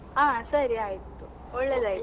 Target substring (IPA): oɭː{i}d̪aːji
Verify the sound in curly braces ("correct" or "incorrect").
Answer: incorrect